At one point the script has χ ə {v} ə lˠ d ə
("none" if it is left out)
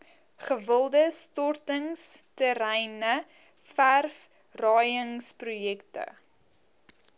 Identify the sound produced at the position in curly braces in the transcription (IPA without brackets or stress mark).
v